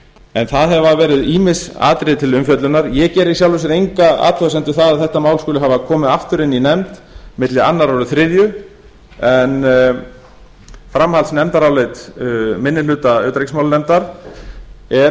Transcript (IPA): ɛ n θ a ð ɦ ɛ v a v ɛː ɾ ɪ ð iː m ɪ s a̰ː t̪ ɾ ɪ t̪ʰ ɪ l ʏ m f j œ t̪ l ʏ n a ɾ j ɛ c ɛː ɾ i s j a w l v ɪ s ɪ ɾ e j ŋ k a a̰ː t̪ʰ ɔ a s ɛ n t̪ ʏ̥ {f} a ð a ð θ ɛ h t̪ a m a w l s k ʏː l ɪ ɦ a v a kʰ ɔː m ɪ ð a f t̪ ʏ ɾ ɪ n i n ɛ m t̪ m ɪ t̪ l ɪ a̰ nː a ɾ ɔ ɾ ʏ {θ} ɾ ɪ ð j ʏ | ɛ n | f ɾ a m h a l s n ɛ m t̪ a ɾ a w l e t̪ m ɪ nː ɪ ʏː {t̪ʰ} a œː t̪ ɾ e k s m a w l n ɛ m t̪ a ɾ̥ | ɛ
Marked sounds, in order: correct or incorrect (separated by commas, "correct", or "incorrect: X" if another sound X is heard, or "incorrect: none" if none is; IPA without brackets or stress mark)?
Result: incorrect: θ, correct, incorrect: t̪